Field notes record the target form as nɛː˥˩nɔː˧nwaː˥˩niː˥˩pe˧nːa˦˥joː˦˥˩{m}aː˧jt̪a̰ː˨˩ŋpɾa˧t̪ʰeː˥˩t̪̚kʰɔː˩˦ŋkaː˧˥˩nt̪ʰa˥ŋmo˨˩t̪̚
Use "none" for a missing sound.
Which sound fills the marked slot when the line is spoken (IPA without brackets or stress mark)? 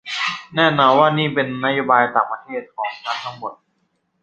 b